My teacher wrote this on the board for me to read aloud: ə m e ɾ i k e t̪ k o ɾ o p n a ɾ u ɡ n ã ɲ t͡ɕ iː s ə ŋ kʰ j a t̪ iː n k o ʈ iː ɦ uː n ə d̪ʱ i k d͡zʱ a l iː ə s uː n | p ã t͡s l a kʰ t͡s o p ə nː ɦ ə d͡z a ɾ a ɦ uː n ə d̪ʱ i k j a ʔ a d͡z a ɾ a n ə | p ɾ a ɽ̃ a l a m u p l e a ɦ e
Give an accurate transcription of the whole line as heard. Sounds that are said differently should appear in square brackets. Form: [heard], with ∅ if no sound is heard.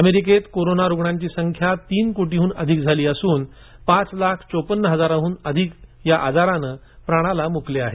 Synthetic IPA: ə m e ɾ i k e t̪ k o ɾ o [∅] n a ɾ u ɡ [ɳ] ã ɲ t͡ɕ iː s ə ŋ kʰ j a t̪ iː n k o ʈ [i] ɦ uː n ə d̪ʱ i k d͡zʱ a l iː ə s uː n | p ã t͡s l a kʰ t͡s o p ə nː ɦ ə d͡z a ɾ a ɦ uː n ə d̪ʱ i k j a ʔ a d͡z a ɾ a n ə | p ɾ a ɽ̃ a l a m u [k] l e a ɦ e